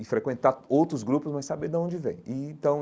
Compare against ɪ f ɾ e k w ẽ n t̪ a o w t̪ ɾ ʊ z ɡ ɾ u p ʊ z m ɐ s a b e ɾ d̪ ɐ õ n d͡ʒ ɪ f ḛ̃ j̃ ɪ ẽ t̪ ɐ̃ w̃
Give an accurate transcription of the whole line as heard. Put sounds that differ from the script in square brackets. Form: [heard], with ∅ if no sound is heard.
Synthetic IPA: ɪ f ɾ e k w ẽ n t̪ a o w t̪ ɾ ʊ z ɡ ɾ u p ʊ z m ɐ s a b e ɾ d̪ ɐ õ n d͡ʒ ɪ [v] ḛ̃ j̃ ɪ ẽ t̪ ɐ̃ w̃